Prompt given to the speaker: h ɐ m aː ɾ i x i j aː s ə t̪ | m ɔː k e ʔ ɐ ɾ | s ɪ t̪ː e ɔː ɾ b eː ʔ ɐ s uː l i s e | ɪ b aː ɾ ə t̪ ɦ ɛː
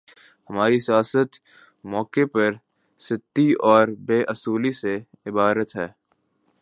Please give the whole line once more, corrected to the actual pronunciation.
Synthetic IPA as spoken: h ɐ m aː ɾ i s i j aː s ə t̪ | m ɔː k e p ɐ ɾ | s ɪ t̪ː i ɔː ɾ b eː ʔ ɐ s uː l i s e | ɪ b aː ɾ ə t̪ ɦ ɛː